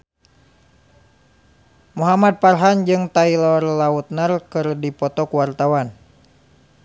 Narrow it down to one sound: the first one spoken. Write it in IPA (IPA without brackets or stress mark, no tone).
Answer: m